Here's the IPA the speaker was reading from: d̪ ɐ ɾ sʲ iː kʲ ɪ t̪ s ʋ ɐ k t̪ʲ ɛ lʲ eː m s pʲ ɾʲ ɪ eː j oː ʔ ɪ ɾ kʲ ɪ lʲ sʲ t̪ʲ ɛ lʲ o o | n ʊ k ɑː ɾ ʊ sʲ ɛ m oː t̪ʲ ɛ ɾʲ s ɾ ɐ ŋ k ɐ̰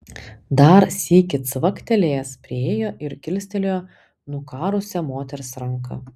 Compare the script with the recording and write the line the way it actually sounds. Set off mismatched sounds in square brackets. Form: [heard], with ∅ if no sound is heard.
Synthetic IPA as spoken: d̪ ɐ ɾ sʲ iː kʲ ɪ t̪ s ʋ ɐ k t̪ʲ ɛ lʲ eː [∅] s pʲ ɾʲ ɪ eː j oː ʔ ɪ ɾ kʲ ɪ lʲ sʲ t̪ʲ ɛ lʲ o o | n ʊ k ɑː ɾ ʊ sʲ ɛ m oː t̪ʲ ɛ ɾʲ s ɾ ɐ ŋ k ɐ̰